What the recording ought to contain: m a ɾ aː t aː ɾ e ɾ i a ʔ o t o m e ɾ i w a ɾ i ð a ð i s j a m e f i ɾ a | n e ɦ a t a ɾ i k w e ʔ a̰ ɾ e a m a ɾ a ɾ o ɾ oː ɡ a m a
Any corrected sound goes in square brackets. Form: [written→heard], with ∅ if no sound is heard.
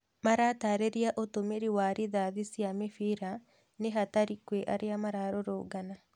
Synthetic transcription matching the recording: m a ɾ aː t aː ɾ e ɾ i a ʔ o t o m e ɾ i w a ɾ i ð a ð i s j a m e f i ɾ a | n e ɦ a t a ɾ i k w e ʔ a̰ ɾ e a m a ɾ a ɾ o ɾ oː ɡ a [m→n] a